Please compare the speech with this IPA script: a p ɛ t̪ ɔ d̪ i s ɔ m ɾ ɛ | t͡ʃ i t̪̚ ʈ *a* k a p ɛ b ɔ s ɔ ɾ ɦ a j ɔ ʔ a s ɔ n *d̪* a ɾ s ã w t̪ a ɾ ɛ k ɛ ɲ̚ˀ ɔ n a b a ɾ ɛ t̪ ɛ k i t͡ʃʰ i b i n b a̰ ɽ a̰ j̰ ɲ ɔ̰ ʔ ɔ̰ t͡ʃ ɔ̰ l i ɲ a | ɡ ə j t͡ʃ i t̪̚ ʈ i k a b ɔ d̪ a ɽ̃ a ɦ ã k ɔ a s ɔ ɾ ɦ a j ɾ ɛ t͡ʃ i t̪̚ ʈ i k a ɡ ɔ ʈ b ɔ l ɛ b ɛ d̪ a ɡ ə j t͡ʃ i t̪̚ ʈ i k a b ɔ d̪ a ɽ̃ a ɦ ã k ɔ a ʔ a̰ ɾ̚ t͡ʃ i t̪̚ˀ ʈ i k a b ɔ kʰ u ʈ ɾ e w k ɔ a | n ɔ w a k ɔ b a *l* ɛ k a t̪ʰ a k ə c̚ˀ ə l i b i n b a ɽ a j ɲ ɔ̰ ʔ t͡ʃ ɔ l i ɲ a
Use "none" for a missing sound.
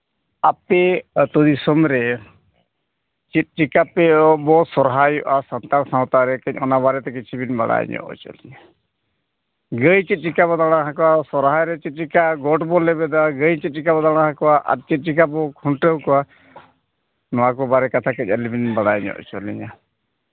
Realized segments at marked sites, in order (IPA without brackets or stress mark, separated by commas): i, t̪, ɾ